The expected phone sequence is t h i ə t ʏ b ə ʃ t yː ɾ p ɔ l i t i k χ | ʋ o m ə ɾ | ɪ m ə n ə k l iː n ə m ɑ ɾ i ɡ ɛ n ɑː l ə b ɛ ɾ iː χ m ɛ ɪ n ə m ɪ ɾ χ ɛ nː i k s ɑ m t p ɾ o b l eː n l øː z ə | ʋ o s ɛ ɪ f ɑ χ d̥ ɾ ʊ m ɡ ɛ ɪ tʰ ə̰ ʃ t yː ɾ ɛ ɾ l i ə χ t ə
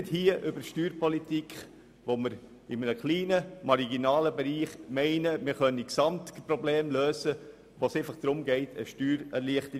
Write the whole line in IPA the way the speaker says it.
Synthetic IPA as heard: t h i ə ʔ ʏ b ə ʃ t yː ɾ p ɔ l i t i k χ | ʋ o m ə ɾ | ɪ m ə n ə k l iː n ə m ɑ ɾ i ɡ i n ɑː l ə b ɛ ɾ iː χ m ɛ ɪ n ə m ɪ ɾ χ œ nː i k s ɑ m t p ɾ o b l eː m l øː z ə | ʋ o s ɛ ɪ f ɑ χ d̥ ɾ ʊ m ɡ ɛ ɪ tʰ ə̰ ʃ t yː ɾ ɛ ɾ l i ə χ t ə